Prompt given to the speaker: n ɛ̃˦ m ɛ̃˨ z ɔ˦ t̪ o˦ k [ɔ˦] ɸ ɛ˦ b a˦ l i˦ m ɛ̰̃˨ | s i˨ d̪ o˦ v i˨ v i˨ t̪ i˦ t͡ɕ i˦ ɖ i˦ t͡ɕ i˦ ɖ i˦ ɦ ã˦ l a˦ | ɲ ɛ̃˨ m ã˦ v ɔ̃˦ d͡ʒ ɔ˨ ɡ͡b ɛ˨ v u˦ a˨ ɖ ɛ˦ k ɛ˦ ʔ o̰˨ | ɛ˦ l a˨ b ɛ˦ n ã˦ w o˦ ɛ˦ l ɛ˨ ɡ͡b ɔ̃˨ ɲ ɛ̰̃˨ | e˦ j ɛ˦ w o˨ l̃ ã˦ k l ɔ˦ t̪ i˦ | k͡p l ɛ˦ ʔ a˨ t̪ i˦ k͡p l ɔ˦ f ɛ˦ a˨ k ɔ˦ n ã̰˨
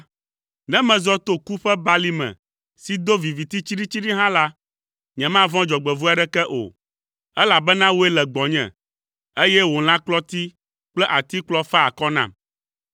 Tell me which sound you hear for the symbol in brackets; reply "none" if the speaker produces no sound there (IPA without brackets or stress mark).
u˦